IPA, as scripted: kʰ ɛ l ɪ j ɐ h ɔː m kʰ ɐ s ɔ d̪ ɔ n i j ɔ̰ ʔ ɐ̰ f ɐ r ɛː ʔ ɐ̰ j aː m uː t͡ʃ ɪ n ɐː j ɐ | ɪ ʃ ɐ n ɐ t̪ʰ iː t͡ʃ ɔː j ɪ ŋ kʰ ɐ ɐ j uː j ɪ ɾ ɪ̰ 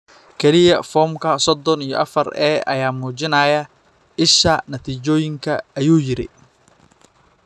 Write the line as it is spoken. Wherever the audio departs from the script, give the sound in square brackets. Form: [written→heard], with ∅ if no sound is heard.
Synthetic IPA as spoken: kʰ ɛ l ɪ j ɐ [h→f] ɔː m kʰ ɐ s ɔ d̪ ɔ n i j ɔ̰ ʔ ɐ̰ f ɐ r ɛː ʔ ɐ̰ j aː m uː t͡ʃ ɪ n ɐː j ɐ | ɪ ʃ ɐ n ɐ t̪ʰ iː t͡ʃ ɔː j ɪ ŋ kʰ ɐ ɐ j uː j ɪ ɾ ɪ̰